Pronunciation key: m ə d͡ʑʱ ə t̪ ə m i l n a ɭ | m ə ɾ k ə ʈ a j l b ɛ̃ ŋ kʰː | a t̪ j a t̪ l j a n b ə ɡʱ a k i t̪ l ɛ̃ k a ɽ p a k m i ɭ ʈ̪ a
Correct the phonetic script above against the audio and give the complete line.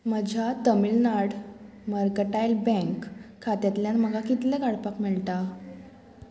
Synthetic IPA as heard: m ə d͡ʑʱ a t̪ ə m i l n a ɽ | m ə ɾ k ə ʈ a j l b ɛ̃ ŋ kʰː | a t̪ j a t̪ l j a n m ə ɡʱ a k i t̪ l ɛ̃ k a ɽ p a k m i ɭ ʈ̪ a